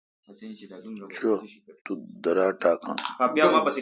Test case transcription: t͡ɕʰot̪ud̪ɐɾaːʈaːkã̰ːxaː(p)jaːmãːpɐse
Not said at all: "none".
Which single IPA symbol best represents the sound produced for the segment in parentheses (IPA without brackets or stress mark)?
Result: p